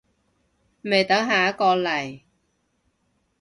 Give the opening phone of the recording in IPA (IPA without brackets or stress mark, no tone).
m